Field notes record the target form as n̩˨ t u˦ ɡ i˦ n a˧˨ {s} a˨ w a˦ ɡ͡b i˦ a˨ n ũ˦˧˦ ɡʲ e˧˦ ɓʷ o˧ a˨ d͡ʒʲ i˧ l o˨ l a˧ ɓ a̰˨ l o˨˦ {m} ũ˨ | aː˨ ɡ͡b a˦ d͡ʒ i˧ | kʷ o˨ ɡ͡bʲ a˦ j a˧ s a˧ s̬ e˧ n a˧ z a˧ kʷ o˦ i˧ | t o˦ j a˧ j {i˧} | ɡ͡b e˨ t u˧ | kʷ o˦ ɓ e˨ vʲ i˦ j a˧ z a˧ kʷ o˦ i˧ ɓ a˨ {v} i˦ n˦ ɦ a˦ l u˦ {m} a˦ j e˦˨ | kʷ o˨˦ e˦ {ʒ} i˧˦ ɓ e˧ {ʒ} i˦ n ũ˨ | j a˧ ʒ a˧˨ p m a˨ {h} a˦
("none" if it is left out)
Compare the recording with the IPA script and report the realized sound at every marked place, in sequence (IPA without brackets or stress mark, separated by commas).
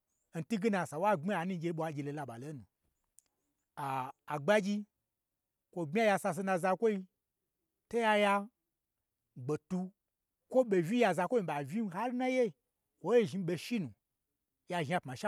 s, n, a˧, v, n, ʒ, ʃ, ʃ